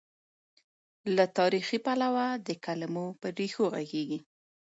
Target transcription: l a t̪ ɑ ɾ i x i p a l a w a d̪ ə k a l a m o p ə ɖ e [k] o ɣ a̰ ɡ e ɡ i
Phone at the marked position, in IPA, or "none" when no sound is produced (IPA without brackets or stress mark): x